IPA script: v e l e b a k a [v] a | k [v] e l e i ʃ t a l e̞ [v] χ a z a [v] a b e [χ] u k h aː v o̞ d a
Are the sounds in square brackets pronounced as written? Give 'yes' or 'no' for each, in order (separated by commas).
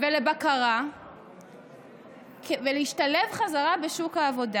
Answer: no, yes, yes, no, no